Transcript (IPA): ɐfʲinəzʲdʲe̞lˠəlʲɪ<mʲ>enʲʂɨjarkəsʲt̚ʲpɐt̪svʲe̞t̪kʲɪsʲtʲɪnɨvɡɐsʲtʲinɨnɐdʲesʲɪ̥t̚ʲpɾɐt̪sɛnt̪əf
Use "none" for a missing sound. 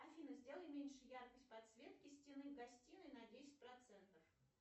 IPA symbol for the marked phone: mʲ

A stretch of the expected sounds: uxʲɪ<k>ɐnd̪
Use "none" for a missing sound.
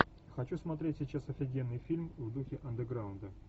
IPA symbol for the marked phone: ʔ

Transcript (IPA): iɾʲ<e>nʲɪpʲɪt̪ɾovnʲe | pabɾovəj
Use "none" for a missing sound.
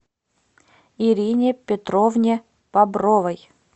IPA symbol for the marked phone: i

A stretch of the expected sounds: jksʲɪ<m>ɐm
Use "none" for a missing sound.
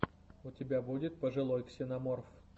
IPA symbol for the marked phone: n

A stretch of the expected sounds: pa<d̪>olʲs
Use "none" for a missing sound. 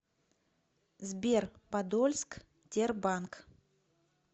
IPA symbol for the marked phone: d̪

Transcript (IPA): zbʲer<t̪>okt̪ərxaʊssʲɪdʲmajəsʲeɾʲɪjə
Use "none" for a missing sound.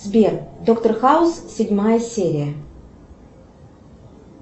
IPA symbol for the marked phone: d̪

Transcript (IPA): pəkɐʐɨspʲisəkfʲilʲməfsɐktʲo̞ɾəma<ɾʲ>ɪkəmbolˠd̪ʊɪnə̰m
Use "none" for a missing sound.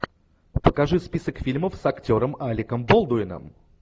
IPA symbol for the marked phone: lʲ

